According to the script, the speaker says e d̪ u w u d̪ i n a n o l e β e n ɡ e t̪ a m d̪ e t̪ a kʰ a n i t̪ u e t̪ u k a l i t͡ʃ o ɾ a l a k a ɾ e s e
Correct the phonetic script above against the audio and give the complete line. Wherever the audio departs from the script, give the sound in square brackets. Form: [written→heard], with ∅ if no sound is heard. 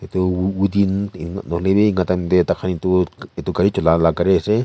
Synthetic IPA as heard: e [d̪→t̪] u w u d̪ i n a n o l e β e [n→ŋ] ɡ [e→a] t̪ a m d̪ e t̪ a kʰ a n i t̪ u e t̪ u k a [l→ɾ] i t͡ʃ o [ɾ→l] a l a k a ɾ e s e